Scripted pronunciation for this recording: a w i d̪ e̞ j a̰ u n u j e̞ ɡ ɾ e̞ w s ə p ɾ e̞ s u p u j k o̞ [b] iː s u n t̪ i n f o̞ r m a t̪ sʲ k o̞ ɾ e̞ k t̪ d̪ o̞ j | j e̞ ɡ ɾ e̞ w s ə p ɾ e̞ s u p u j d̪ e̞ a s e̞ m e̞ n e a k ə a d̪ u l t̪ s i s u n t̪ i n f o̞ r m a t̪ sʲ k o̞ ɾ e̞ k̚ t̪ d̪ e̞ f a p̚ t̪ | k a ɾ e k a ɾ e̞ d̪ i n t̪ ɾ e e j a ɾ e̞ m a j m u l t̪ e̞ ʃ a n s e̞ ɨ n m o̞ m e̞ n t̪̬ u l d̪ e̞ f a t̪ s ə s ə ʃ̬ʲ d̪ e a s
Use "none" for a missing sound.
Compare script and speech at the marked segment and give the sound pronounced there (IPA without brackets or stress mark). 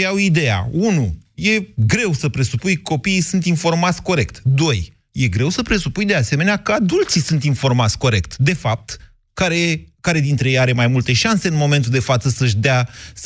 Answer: p